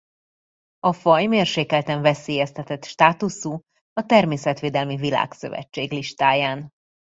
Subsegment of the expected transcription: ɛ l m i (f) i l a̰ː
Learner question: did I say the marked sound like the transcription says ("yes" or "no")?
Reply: no